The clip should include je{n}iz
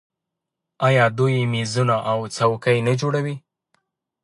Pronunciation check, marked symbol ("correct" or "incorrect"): incorrect